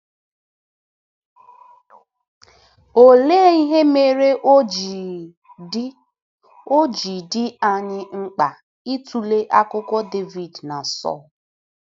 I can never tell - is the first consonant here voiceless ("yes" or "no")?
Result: no